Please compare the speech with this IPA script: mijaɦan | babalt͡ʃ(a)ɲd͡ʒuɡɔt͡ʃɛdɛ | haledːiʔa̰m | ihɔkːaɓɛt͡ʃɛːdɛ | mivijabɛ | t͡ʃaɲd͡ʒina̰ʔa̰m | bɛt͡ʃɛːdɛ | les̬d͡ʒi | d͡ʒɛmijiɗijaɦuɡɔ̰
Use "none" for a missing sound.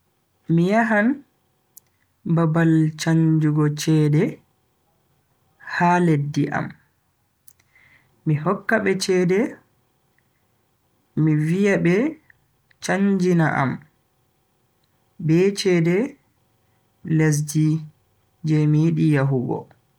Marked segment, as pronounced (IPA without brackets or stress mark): a